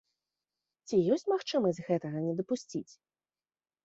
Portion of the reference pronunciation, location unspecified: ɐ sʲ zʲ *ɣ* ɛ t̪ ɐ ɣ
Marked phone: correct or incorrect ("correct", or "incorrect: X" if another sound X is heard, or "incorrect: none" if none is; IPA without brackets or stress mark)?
correct